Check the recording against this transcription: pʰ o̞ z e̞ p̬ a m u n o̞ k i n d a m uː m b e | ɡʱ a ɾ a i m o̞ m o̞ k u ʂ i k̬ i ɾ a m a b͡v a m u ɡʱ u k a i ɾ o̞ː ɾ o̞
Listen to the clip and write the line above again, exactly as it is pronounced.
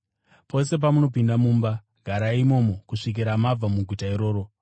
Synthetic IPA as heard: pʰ o̞ s e̞ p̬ a m u n o̞ p i n d a m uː m b a | ɡʱ a ɾ a i m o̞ m o̞ k u ʂ i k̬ i ɾ a m a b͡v a m u ɡʱ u t a i ɾ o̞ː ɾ o̞